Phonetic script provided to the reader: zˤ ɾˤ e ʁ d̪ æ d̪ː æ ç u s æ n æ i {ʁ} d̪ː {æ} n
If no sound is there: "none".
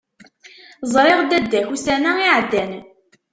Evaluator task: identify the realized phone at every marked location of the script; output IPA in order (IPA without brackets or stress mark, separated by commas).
ʕ, æ